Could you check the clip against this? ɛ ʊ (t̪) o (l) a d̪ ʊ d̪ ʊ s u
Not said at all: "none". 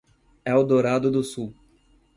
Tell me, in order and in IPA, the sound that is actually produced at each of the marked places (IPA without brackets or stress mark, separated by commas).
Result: d̪, ɾ